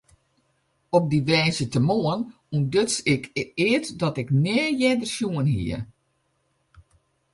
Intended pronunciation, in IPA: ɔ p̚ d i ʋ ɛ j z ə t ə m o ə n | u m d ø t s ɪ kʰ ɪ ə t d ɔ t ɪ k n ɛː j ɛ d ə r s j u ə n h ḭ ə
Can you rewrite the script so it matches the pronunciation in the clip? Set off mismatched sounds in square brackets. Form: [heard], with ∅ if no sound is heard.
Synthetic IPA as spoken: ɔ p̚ d i ʋ ɛ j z ə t ə m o ə n | u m d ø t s ɪ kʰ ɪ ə t d ɔ t ɪ k n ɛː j ɛ d ə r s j u ə n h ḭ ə